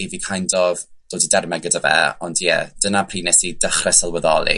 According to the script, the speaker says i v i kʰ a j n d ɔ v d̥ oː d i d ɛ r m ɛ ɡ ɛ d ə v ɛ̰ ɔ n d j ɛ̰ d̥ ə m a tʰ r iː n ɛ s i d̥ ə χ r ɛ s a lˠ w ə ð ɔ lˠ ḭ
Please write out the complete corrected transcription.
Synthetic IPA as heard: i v i kʰ a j n d ɔ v d̥ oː d i d ɛ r m ɛ ɡ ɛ d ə v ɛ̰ ɔ n d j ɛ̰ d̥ ə n a pʰ r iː n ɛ s i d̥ ə χ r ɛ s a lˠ w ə ð ɔ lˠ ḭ